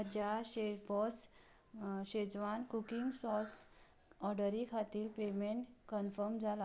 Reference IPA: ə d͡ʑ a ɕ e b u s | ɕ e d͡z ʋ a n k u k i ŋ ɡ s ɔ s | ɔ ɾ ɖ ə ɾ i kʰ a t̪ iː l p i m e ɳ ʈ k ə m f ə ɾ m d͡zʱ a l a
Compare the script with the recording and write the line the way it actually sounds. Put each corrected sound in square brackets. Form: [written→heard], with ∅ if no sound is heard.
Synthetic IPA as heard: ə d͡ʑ a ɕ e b [u→ɔ] s | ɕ e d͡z ʋ a n k u k i ŋ ɡ s ɔ s | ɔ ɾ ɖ ə ɾ i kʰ a t̪ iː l p [i→e] m e ɳ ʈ k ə [m→n] f ə ɾ m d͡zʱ a l a